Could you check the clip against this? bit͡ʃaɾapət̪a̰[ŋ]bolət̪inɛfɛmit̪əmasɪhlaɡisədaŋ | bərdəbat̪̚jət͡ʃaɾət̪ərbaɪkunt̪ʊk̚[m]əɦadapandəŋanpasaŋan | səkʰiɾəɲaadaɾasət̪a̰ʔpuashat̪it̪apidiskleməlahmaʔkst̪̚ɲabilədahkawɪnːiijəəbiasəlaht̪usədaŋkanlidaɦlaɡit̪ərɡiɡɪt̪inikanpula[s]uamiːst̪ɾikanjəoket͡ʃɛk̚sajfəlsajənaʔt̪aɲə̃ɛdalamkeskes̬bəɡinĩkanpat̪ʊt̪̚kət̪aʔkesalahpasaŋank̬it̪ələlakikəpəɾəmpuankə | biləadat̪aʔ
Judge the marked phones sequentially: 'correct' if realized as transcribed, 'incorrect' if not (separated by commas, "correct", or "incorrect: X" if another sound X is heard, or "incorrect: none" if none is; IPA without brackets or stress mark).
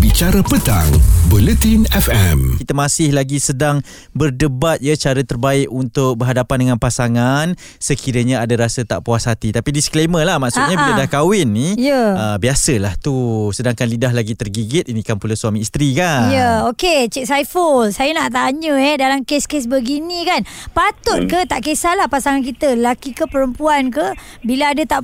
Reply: correct, incorrect: b, correct